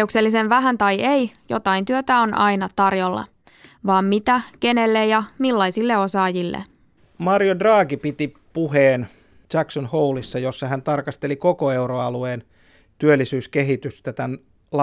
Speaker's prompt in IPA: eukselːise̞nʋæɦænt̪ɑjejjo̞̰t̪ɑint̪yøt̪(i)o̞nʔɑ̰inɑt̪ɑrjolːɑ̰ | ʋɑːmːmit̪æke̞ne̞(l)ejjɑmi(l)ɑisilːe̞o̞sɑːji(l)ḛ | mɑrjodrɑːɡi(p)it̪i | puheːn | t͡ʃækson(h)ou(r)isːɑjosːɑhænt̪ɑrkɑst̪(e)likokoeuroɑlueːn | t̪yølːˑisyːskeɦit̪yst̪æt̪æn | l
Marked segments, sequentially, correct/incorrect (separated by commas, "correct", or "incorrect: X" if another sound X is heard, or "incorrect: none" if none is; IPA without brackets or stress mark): incorrect: æ, incorrect: lː, incorrect: lː, incorrect: lː, correct, correct, incorrect: l, correct